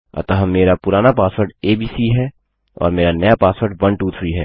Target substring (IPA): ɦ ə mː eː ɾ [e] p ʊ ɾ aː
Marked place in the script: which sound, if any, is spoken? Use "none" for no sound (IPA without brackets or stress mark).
a